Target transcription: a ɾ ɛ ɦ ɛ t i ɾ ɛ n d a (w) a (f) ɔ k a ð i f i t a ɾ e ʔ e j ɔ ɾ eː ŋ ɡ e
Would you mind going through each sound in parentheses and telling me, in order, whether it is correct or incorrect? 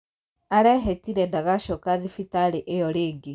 incorrect, incorrect

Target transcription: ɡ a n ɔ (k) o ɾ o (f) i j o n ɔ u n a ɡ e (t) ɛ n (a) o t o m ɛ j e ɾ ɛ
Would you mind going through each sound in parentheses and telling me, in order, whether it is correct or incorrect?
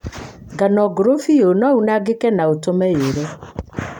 incorrect, correct, incorrect, correct

